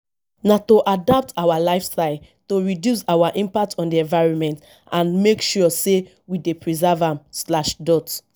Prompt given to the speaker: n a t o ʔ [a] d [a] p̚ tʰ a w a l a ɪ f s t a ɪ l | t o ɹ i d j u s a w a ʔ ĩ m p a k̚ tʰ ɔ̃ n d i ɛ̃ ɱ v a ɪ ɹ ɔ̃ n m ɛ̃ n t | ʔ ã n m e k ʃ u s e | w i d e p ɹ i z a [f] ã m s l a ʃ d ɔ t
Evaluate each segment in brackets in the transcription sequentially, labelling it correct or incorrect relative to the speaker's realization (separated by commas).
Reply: correct, correct, incorrect